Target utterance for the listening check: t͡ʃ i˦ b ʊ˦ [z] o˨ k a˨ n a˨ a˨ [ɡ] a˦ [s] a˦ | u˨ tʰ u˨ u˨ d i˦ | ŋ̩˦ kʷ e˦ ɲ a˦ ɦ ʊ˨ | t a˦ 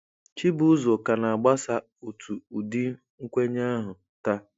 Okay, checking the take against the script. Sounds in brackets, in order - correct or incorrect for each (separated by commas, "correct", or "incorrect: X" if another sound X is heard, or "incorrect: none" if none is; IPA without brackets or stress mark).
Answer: correct, incorrect: ɡ͡b, correct